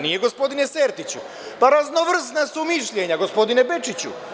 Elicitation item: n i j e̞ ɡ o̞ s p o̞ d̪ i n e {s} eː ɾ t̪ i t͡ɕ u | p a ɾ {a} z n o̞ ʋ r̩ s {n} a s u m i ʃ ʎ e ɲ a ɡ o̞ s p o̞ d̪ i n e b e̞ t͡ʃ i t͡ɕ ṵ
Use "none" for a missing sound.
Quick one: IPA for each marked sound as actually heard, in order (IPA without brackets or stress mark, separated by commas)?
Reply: s, a, n